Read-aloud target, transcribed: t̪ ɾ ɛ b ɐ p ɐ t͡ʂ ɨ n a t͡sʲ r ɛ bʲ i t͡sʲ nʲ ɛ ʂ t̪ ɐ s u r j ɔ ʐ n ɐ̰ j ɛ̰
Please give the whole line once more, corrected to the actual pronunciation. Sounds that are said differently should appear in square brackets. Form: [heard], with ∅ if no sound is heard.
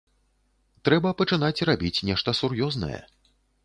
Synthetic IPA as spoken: t̪ ɾ ɛ b ɐ p ɐ t͡ʂ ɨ n a t͡sʲ r [a] bʲ i t͡sʲ nʲ ɛ ʂ t̪ ɐ s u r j ɔ [z] n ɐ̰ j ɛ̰